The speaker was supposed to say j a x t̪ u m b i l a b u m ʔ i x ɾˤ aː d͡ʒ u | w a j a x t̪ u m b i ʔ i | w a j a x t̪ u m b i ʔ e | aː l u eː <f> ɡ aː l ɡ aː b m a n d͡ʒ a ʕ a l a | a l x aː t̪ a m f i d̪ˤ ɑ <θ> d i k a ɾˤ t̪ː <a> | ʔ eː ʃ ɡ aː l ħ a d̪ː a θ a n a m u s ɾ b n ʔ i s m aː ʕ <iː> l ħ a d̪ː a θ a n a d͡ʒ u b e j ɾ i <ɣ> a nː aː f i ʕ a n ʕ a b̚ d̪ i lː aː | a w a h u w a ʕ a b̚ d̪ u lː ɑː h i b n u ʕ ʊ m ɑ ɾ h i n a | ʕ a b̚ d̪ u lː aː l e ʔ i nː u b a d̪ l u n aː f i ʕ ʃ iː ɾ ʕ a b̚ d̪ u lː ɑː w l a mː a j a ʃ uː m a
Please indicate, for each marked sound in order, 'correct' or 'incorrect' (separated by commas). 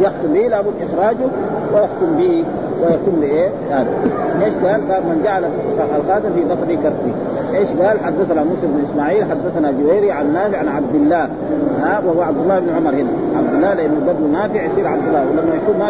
incorrect, incorrect, incorrect, correct, incorrect